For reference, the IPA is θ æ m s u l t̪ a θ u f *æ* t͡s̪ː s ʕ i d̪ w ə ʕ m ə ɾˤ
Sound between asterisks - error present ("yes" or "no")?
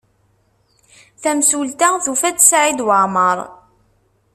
no